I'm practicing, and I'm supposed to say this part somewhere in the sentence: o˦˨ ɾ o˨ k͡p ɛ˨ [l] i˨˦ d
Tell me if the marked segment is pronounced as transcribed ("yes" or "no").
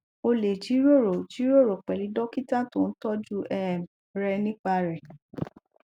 yes